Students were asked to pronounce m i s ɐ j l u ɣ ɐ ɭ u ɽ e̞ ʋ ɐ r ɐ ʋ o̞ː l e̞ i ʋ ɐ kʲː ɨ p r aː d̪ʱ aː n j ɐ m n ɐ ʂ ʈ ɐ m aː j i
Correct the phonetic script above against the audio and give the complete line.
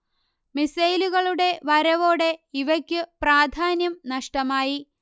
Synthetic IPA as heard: m i s ɐ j l u ɣ ɐ ɭ u ɽ e̞ ʋ ɐ ɾ ɐ ʋ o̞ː ɽ e̞ i ʋ ɐ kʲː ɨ p r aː d̪ʱ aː n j ɐ m n ɐ ʂ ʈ ɐ m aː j i